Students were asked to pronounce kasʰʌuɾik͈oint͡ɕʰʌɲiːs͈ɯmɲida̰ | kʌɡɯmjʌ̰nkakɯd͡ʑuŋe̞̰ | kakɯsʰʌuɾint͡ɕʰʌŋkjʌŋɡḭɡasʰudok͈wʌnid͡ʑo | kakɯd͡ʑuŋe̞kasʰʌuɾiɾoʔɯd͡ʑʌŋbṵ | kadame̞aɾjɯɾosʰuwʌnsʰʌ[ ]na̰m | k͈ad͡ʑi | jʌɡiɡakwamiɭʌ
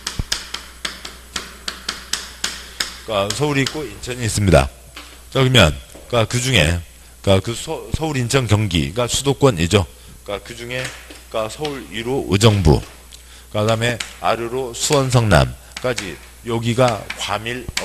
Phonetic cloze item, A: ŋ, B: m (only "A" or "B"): A